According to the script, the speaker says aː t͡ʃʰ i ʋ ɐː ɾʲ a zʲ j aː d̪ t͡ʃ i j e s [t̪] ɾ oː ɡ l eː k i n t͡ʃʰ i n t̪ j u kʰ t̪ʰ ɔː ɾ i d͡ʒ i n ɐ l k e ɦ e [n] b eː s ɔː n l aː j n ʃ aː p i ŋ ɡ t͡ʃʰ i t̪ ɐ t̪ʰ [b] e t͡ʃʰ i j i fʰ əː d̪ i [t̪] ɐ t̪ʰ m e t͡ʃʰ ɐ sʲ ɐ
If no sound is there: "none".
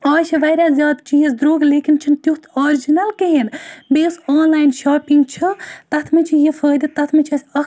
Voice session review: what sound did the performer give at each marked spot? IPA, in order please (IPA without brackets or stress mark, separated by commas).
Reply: d̪, n, m, t̪